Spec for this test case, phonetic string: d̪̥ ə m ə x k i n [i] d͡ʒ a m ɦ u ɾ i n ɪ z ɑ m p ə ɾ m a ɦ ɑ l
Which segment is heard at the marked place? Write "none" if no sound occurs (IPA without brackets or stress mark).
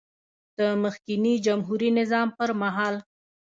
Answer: i